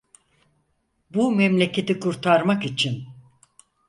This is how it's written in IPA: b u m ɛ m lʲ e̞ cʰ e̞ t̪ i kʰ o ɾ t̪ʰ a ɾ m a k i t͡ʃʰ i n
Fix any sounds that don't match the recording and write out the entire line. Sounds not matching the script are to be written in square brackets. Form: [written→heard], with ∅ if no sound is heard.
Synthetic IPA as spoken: b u m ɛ m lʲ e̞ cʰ e̞ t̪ i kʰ [o→u] ɾ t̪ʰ a ɾ m a k i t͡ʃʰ i n